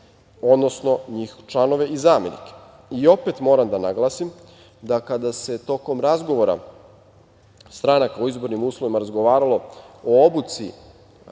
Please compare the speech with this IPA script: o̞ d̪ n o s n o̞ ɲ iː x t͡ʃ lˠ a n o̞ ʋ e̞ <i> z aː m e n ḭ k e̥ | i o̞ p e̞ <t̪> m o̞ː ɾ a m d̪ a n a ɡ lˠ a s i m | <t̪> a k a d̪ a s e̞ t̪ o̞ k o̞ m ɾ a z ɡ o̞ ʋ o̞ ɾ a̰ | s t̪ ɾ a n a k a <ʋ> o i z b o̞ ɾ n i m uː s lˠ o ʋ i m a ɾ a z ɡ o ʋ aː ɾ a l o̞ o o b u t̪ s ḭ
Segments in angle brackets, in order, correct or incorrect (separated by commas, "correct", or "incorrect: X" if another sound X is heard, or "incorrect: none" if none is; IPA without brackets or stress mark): correct, correct, incorrect: d̪, incorrect: none